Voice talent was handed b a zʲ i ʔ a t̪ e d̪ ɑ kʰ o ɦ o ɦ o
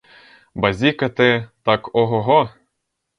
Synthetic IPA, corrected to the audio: b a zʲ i k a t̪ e t̪ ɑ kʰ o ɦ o ɦ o